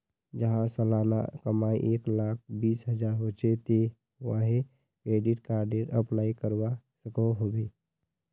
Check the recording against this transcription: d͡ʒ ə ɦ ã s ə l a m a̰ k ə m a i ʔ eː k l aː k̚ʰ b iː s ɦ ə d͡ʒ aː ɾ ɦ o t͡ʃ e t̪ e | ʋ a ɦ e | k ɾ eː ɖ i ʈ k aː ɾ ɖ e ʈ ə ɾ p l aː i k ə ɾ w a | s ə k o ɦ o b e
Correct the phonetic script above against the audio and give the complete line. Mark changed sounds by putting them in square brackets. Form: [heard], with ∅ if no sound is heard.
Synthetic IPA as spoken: d͡ʒ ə ɦ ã s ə l a [n] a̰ k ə m a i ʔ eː k l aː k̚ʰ b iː s ɦ ə d͡ʒ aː ɾ ɦ o t͡ʃ e t̪ e | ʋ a ɦ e | k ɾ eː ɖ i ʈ k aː ɾ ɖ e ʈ ə [∅] p l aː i k ə ɾ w a | s ə k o ɦ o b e